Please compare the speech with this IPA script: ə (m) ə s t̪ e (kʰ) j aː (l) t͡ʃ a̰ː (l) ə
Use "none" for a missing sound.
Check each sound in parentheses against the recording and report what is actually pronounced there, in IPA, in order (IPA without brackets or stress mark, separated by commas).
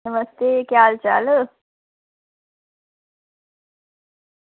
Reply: m, k, l, l